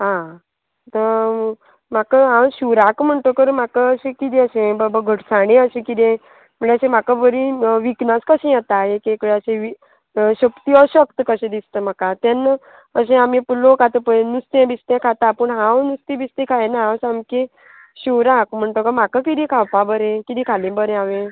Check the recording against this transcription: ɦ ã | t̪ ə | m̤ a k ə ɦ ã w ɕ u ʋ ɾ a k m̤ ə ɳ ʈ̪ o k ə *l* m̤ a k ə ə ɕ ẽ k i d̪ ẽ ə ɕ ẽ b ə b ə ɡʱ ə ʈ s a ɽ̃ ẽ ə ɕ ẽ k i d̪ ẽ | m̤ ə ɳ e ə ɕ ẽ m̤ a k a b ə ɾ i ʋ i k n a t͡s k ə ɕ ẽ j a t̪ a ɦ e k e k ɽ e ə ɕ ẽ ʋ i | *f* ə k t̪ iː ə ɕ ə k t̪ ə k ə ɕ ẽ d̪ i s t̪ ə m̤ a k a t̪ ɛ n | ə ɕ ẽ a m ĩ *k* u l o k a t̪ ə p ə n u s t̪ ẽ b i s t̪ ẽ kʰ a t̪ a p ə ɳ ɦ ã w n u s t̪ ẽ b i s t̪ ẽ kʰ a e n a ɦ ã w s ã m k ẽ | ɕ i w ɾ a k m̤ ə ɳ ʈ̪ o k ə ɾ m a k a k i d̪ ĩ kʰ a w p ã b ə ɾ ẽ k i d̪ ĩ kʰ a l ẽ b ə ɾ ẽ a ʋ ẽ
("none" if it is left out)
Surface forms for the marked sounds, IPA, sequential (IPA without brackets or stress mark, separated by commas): ɾ, ɕ, p